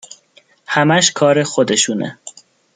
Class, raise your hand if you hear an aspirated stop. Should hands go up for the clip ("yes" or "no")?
yes